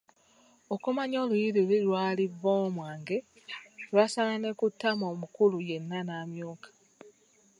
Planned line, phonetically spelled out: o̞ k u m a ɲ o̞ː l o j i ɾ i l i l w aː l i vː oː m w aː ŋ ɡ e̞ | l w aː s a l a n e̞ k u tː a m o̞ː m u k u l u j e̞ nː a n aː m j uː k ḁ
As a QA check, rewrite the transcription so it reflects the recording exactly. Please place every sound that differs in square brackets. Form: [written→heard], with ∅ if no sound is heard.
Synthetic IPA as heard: o̞ k u m a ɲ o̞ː l [o→u] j i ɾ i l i l w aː l i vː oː m w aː ŋ ɡ e̞ | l w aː s a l a n e̞ k u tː a m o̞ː m u k u l u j e̞ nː a n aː m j uː k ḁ